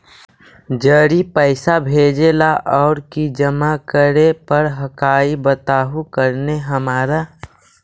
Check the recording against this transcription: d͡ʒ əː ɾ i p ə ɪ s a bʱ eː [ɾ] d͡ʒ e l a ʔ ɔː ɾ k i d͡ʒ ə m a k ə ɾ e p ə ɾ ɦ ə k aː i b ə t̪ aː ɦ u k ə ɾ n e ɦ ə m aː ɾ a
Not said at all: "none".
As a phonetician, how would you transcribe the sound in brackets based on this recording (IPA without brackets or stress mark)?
none